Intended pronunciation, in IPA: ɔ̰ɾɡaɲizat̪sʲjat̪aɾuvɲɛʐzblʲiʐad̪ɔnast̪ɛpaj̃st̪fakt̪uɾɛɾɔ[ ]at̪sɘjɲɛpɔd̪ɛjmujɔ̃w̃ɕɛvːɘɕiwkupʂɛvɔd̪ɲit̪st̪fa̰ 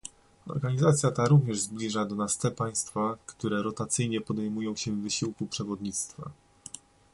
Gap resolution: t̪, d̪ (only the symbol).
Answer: t̪